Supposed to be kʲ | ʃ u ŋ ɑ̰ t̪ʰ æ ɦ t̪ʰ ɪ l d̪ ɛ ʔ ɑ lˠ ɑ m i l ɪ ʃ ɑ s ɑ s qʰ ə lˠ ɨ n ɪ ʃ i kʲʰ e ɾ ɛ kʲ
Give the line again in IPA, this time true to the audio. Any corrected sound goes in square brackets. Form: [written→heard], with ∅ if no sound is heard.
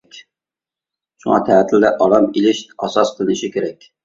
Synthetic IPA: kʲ | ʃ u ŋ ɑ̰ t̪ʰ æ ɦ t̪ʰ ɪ l d̪ ɛ ʔ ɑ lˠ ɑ m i l ɪ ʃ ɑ s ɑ s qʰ ə lˠ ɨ n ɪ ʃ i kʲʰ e ɾ ɛ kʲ